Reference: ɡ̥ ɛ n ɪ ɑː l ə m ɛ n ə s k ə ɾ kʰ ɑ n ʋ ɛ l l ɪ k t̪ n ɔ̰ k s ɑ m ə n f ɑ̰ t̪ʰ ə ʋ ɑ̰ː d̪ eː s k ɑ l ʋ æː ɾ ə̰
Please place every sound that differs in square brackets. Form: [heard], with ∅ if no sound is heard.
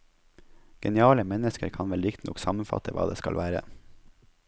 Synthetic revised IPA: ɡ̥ ɛ n ɪ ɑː l ə m ɛ n ə s k ə ɾ kʰ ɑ n ʋ ɛ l [ɾ] ɪ k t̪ n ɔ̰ k s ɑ m ə n f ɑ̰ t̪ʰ ə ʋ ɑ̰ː d̪ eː s k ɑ l ʋ æː ɾ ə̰